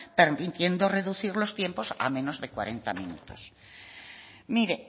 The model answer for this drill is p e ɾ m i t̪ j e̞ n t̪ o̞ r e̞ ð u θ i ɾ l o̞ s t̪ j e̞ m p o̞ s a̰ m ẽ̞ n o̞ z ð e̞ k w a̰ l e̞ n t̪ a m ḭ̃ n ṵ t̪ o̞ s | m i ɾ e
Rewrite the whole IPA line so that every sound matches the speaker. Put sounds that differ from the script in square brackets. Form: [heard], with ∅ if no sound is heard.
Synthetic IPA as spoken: p e ɾ m i t̪ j e̞ n [d̪] o̞ r e̞ ð u θ i ɾ l o̞ s t̪ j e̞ m p o̞ s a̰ m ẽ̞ n o̞ z ð e̞ k w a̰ [ɾ] e̞ n t̪ a m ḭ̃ n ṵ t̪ o̞ s | m i ɾ e